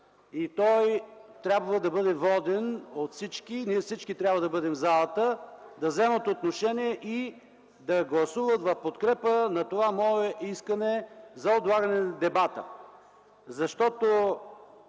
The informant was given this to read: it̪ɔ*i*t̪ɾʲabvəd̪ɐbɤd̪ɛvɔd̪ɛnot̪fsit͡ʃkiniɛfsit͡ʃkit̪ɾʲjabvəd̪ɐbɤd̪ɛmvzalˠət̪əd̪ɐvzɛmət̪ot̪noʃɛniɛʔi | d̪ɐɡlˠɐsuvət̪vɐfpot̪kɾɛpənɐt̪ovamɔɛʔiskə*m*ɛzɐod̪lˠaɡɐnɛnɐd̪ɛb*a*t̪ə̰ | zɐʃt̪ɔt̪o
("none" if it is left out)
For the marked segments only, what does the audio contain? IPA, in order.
j, n, a

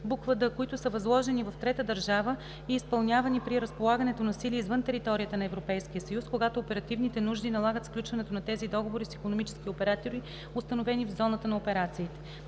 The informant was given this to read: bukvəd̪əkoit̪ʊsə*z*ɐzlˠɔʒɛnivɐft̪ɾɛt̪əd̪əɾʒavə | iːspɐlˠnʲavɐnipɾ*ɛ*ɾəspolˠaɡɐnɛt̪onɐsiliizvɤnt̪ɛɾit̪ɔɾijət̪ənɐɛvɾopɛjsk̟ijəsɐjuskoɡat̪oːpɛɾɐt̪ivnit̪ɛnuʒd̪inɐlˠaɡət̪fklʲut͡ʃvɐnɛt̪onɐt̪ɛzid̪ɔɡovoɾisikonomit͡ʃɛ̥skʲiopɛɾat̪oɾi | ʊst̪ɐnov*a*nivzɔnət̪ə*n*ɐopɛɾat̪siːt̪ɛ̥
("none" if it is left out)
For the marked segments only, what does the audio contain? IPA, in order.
v, i, ɛ, n

